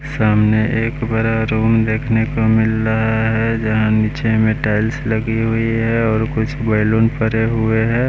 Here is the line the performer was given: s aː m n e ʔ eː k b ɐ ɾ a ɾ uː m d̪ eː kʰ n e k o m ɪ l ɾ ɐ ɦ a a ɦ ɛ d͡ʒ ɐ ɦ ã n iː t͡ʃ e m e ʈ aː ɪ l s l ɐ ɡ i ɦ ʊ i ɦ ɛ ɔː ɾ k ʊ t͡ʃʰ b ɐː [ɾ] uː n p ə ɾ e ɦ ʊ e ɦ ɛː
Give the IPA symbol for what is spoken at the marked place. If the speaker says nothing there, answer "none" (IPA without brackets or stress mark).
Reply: l